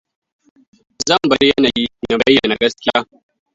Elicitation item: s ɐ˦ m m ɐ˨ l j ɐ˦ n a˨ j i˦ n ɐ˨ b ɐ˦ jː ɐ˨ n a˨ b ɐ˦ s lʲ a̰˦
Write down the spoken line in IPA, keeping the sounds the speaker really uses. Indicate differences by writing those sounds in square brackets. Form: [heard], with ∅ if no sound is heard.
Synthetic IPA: [z] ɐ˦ m [b] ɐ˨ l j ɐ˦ n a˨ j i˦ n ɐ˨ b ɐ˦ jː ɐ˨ n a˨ [ɡ] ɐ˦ s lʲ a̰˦